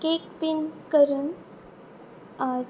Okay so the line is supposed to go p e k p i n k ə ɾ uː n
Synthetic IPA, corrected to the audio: k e k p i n k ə ɾ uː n